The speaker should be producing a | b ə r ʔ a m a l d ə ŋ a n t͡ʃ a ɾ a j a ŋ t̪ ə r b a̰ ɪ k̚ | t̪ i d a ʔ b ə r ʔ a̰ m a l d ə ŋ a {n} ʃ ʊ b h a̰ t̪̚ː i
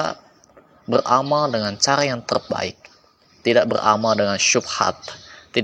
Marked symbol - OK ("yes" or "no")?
yes